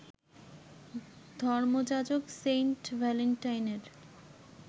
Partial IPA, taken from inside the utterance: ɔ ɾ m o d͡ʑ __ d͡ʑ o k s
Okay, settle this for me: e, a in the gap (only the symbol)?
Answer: a